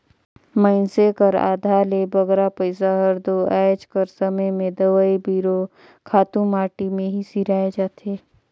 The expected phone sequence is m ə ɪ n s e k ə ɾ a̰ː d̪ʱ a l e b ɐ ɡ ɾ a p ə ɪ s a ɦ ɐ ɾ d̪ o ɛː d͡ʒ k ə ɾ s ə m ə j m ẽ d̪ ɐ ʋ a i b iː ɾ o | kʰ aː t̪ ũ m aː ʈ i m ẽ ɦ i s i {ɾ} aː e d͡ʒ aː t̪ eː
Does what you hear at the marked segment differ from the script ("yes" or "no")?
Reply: no